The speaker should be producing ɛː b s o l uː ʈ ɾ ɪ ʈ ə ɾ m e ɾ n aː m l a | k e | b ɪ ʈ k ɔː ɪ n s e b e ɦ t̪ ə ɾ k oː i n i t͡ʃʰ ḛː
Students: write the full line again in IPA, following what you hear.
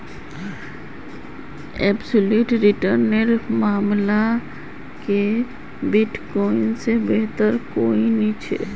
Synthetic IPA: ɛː b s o l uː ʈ ɾ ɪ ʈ ə ɾ n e ɾ m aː m l a | k e | b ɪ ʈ k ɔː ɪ n s e b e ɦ t̪ ə ɾ k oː i n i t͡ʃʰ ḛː